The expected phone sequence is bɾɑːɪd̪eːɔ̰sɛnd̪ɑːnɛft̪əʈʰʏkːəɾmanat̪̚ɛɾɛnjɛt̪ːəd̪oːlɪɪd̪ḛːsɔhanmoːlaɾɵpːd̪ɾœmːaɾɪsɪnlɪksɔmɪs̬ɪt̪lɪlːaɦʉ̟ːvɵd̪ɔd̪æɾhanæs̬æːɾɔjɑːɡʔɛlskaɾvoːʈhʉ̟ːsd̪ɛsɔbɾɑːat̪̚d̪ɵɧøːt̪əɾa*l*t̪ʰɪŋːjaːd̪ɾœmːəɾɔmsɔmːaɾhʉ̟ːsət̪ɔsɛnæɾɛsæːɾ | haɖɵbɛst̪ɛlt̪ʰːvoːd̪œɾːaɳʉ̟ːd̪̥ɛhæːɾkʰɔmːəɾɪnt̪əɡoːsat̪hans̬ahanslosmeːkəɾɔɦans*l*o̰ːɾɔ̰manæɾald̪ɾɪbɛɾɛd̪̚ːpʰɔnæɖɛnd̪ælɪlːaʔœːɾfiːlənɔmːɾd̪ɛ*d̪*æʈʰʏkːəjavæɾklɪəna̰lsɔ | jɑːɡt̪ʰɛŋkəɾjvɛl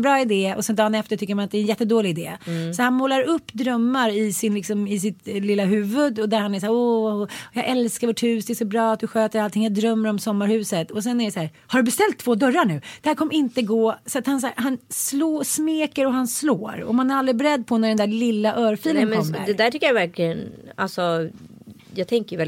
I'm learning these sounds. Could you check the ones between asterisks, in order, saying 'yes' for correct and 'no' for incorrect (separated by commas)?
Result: yes, yes, yes